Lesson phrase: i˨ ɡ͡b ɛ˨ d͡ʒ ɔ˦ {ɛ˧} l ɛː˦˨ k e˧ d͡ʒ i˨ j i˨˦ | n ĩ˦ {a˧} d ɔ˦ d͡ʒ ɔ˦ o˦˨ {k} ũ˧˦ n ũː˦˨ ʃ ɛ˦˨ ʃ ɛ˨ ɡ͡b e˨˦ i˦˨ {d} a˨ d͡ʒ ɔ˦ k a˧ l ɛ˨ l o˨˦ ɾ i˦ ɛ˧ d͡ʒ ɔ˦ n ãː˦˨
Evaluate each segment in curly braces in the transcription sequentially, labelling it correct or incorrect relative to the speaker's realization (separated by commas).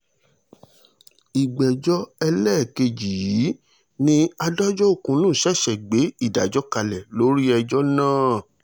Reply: correct, correct, correct, correct